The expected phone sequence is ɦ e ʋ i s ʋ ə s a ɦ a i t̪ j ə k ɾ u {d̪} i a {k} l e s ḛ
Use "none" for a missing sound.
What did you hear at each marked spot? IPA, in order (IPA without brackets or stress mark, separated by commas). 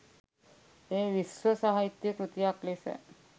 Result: t̪, k